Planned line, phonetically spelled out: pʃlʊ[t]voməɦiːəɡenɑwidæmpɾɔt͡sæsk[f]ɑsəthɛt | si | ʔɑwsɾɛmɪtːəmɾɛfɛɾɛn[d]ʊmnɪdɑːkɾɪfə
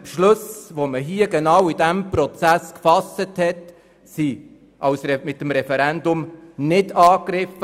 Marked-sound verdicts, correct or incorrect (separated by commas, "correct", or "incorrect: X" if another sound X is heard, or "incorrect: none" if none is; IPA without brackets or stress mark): incorrect: s, correct, correct